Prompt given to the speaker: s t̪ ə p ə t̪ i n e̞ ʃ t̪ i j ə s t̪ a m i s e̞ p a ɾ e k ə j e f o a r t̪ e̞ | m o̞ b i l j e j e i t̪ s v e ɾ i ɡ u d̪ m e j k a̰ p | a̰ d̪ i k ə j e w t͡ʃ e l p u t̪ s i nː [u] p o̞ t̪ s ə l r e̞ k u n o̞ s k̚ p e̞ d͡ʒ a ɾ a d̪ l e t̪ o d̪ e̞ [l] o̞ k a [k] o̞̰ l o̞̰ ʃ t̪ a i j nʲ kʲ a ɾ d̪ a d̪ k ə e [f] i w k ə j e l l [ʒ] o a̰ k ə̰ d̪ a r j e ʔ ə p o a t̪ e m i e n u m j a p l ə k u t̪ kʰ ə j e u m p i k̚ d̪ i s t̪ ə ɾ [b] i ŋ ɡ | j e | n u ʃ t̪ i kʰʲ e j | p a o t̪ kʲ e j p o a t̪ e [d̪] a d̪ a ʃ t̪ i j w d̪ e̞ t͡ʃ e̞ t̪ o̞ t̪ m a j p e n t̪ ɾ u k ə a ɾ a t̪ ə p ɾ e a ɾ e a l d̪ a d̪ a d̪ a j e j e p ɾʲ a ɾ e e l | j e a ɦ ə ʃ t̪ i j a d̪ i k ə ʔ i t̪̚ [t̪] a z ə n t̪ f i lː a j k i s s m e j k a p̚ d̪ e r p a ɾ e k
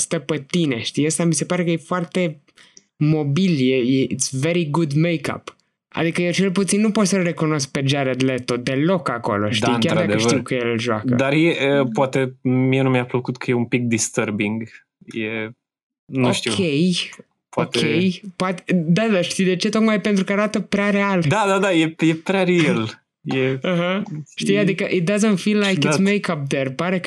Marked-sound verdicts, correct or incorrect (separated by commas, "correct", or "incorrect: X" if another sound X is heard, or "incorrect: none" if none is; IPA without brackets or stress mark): correct, correct, correct, incorrect: ʃ, correct, correct, correct, incorrect: d̪